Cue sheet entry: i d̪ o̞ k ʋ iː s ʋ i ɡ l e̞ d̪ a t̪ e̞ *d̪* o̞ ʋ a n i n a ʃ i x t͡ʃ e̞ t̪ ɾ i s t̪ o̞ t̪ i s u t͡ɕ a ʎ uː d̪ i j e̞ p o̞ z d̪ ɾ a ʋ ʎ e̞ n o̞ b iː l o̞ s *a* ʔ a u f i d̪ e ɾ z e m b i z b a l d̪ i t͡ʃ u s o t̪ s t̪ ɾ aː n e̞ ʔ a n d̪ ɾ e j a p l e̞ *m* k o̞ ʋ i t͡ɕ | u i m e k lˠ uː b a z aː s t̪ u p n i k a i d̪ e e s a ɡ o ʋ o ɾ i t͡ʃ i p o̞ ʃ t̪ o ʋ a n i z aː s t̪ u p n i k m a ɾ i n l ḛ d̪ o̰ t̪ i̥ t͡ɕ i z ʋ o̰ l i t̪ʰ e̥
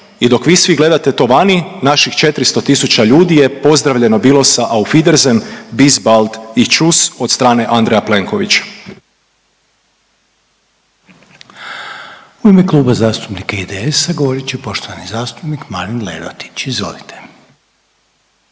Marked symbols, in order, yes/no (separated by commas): no, yes, no